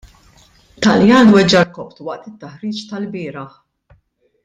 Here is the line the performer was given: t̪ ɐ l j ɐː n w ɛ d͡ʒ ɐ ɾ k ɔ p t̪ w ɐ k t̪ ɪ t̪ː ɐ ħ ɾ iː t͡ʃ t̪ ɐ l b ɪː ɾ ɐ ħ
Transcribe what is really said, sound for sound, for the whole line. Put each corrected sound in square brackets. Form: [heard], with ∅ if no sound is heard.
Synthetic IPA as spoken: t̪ ɐ l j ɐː n w ɛ d͡ʒ ɐ ɾ k ɔ p t̪ w ɐ [ʔ] t̪ ɪ t̪ː ɐ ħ ɾ iː t͡ʃ t̪ ɐ l b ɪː ɾ ɐ ħ